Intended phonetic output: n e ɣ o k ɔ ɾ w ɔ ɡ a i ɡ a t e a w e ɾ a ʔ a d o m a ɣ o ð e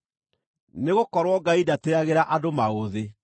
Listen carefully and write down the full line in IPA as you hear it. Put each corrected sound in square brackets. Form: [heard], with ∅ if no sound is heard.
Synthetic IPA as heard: n e ɣ o k ɔ ɾ w ɔ ɡ a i [d] a t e a [ɣ] e ɾ a ʔ a d o m a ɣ o ð e